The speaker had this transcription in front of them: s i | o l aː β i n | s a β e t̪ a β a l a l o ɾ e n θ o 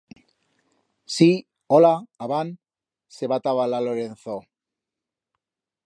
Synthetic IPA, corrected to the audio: s i | o l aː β a n | s e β a t̪ a β a l a l o ɾ e n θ o